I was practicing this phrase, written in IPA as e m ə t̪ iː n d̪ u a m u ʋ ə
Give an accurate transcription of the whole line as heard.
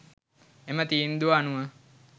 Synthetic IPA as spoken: e m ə t̪ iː n d̪ u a n u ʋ ə